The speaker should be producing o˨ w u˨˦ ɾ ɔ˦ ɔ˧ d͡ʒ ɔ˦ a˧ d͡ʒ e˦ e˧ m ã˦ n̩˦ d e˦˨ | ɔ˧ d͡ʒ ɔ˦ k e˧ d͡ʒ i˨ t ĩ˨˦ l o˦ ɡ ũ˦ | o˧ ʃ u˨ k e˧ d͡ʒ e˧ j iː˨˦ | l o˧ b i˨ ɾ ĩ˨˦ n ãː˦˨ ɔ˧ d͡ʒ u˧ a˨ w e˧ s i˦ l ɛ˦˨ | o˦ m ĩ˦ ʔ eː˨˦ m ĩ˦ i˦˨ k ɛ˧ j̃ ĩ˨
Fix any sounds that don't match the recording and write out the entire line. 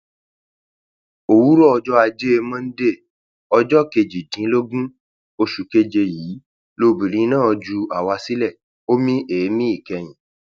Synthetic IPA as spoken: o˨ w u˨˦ ɾ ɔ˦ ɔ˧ d͡ʒ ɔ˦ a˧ d͡ʒ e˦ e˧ m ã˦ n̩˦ d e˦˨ | ɔ˧ d͡ʒ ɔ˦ k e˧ d͡ʒ i˨ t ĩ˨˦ l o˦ ɡ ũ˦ | o˧ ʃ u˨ k e˧ d͡ʒ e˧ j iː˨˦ | l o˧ b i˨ ɾ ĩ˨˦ n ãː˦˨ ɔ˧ d͡ʒ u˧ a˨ w a˧ s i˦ l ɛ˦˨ | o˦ m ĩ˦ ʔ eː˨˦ m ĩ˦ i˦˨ k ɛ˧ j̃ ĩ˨